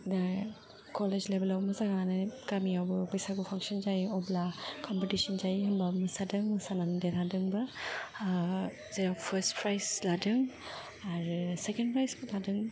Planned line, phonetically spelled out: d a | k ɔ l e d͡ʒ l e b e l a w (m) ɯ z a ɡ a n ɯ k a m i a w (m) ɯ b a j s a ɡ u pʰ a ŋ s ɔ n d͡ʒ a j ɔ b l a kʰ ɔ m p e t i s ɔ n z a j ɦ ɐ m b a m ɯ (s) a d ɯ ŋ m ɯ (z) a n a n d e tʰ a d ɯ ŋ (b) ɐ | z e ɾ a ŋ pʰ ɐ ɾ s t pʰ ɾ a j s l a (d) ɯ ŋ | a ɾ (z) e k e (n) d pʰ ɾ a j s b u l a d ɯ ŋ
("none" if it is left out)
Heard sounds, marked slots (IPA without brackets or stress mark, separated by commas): m, b, s, s, b, d, s, n